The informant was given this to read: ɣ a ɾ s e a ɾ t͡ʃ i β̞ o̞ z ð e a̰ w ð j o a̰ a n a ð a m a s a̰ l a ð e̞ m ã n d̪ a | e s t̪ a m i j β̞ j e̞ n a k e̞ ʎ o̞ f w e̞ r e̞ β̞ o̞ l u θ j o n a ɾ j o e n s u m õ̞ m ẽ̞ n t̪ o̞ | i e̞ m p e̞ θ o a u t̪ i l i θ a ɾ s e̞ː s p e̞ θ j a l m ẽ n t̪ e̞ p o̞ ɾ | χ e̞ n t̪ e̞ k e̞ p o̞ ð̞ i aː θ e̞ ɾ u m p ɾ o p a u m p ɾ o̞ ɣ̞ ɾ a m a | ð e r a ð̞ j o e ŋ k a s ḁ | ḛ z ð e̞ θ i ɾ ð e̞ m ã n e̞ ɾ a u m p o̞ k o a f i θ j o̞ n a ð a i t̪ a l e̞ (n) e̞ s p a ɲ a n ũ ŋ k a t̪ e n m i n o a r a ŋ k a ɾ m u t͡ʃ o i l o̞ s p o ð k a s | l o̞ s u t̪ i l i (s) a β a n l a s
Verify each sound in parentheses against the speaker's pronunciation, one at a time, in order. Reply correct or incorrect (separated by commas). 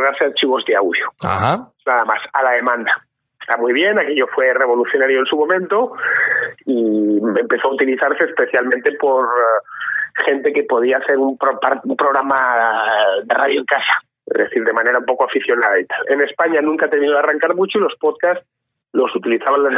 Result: correct, incorrect